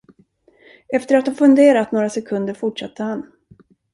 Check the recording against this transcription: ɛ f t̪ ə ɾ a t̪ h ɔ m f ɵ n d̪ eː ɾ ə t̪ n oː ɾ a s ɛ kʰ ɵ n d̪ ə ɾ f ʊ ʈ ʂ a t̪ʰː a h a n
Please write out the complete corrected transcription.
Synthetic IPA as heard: ɛ f t̪ ə ɾ a t̪ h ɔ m f ɵ n d̪ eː ɾ a t̪ n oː ɾ a s ɛ kʰ ɵ n d̪ ə ɾ f ʊ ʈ ʂ a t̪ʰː ə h a n